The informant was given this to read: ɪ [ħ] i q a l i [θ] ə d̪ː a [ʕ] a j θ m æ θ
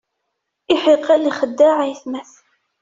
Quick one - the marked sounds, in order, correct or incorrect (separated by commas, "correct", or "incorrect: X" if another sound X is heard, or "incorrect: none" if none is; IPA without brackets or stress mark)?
correct, incorrect: χ, correct